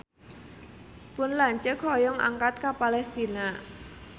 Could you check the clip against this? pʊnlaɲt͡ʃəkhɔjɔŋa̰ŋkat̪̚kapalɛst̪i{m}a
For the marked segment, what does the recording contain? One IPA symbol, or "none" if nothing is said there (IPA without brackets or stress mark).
n